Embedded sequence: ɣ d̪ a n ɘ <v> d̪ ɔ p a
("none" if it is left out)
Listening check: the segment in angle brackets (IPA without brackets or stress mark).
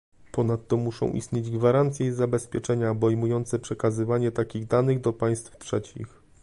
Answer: ɣ